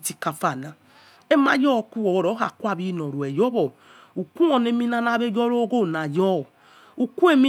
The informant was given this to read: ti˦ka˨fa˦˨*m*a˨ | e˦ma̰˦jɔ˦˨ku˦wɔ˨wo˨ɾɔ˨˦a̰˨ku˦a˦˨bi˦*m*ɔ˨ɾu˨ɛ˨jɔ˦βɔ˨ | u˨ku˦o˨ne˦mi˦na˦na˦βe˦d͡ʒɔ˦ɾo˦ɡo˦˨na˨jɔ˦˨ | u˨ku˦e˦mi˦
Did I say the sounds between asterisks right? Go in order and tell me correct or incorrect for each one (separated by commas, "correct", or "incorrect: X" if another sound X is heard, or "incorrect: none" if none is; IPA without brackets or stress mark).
incorrect: n, incorrect: n